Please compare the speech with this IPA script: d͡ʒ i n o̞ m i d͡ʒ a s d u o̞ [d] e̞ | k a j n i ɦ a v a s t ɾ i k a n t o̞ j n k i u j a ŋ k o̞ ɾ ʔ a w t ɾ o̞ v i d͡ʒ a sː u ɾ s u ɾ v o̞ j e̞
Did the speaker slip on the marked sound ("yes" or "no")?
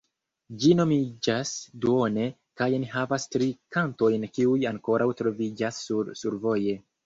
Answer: yes